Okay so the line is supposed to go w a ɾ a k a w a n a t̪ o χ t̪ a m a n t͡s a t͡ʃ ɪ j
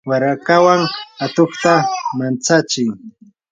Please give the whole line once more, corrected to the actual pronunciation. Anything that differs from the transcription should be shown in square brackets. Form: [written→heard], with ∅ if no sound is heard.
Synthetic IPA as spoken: w a ɾ a k a w a [n→ŋ] a t̪ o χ t̪ a m a n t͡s a t͡ʃ ɪ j